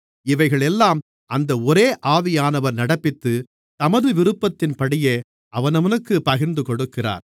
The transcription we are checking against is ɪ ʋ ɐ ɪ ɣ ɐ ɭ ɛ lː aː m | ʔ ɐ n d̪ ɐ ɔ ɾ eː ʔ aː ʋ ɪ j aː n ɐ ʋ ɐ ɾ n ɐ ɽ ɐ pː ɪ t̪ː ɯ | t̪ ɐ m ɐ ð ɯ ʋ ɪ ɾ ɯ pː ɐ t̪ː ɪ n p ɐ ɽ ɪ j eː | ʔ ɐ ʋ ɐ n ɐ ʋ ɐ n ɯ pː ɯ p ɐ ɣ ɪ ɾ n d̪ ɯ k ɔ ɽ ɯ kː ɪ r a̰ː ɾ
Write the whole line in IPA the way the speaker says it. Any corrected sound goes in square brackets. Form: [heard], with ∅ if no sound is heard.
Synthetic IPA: ɪ ʋ ɐ ɪ ɣ ɐ ɭ ɛ lː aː m | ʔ ɐ n d̪ ɐ ɔ ɾ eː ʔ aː ʋ ɪ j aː n ɐ ʋ ɐ ɾ n ɐ ɽ ɐ pː ɪ t̪ː ɯ | t̪ ɐ m ɐ ð ɯ ʋ ɪ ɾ ɯ pː ɐ t̪ː ɪ n p ɐ ɽ ɪ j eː | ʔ ɐ ʋ ɐ n ɐ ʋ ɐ n ɯ [kː] ɯ p ɐ ɣ ɪ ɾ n d̪ ɯ k ɔ ɽ ɯ kː ɪ r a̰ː ɾ